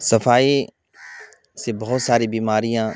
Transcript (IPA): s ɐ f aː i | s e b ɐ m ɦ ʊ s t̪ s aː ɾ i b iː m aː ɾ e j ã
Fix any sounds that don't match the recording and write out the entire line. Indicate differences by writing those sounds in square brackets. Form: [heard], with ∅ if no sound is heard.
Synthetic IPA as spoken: s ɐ f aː i | s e b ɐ [∅] ɦ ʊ [∅] t̪ s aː ɾ i b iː m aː ɾ [i] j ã